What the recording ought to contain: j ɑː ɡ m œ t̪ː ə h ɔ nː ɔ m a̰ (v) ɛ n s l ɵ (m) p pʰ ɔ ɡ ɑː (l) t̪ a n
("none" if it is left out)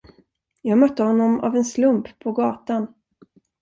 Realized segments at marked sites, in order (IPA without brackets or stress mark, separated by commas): v, m, none